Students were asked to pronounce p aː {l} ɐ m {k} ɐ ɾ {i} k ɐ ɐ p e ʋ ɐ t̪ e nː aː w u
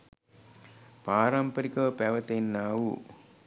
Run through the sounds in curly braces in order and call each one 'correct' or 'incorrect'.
incorrect: ɾ, incorrect: p, correct

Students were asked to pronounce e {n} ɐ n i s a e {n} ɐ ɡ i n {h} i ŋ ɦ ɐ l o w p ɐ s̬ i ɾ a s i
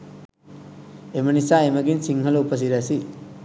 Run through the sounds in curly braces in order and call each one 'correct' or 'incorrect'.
incorrect: m, incorrect: m, incorrect: s

